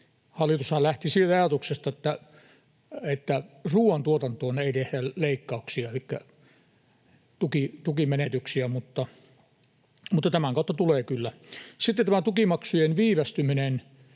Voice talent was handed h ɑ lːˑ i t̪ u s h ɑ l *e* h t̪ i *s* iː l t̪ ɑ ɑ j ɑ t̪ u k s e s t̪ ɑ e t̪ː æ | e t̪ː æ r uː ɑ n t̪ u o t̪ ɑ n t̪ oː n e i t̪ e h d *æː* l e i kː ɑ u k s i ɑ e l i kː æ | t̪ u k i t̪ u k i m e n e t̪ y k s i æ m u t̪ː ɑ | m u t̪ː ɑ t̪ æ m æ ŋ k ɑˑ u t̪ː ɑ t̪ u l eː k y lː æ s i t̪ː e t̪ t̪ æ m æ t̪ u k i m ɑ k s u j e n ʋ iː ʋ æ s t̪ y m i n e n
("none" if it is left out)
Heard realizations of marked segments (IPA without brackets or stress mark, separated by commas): æ, s, æ